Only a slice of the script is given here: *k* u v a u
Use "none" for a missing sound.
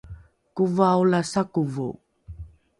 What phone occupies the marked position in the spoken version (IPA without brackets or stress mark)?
k